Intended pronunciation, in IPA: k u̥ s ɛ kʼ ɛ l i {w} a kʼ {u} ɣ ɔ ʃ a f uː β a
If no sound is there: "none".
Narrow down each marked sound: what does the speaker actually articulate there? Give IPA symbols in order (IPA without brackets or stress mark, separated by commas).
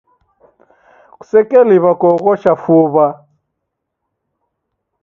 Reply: β, ɔ